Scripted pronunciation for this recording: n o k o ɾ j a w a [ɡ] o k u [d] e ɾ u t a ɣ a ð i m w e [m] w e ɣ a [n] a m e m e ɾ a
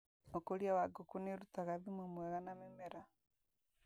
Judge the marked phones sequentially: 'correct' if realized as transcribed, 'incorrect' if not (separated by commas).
correct, incorrect, correct, correct